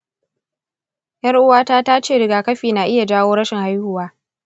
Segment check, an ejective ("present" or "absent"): absent